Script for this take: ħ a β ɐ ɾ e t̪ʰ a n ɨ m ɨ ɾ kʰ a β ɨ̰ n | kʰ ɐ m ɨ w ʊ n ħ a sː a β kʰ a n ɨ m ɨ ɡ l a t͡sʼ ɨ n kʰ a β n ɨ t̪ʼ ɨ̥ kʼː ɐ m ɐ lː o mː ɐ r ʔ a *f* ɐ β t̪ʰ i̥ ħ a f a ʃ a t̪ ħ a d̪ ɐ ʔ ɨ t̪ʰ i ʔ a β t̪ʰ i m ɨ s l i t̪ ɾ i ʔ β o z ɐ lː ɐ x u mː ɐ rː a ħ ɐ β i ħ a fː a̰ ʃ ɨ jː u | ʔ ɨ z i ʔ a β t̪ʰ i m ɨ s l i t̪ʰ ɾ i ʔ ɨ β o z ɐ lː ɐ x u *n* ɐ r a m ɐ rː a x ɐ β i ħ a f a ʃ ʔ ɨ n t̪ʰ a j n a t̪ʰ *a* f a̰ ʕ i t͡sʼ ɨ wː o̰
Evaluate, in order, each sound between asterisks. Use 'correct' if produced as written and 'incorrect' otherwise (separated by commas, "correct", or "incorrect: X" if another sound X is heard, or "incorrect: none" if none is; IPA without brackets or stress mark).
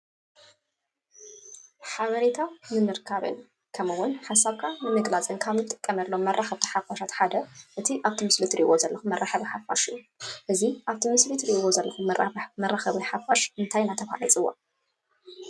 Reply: incorrect: x, incorrect: m, incorrect: ɐ